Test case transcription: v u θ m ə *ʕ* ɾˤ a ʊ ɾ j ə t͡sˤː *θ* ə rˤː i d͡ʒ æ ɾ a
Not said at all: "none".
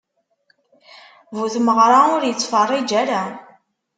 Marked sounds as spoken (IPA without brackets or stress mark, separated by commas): ʁ, f